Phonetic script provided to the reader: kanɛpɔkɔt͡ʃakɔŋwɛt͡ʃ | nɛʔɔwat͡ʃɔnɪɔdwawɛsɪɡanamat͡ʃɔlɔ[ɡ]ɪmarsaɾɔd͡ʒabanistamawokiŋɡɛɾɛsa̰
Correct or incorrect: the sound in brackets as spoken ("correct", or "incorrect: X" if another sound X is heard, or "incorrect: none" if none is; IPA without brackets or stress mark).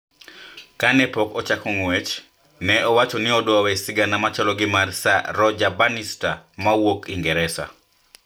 correct